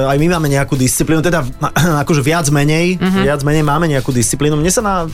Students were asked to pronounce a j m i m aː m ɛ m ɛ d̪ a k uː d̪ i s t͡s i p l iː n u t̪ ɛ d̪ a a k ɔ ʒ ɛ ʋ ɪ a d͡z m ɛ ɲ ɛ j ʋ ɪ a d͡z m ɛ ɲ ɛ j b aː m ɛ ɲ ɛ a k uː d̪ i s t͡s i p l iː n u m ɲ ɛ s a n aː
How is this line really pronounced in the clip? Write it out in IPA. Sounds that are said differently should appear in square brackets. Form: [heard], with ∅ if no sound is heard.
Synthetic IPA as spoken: a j m i m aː m ɛ [ɲ] ɛ [∅] a k uː d̪ i s t͡s i p l iː n u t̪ ɛ d̪ a a k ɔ ʒ ɛ ʋ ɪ a d͡z m ɛ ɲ ɛ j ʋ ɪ a d͡z m ɛ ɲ ɛ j [m] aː m ɛ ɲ ɛ a k uː d̪ i s t͡s i p l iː n u m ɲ ɛ s a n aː